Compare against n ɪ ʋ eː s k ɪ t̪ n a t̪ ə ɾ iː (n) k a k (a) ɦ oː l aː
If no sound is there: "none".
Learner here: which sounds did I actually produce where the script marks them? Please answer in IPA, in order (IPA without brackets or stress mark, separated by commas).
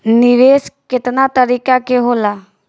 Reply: none, e